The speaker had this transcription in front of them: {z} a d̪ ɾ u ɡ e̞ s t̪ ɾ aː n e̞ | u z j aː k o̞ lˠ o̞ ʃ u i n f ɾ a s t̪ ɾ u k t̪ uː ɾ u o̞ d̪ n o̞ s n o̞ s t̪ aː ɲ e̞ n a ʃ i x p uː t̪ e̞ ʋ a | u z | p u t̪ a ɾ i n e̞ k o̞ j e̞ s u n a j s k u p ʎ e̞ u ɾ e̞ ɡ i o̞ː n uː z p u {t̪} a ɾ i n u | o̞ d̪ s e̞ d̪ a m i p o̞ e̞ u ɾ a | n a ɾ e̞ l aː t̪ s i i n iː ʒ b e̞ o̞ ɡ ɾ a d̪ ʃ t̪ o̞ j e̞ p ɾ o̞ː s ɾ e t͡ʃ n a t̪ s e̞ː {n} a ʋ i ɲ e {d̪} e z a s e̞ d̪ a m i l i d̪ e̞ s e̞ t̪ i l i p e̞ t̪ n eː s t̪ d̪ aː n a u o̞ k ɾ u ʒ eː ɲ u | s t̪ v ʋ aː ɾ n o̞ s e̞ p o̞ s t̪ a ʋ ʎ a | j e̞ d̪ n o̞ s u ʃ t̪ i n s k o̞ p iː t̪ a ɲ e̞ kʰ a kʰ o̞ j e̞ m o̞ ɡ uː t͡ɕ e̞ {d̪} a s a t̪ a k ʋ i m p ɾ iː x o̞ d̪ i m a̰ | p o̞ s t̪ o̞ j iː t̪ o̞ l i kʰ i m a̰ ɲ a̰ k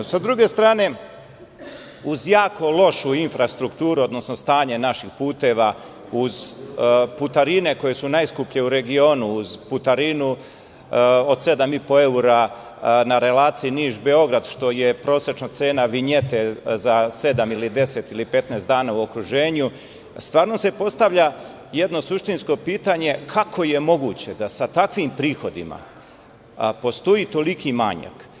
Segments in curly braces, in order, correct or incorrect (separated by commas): incorrect, correct, correct, incorrect, correct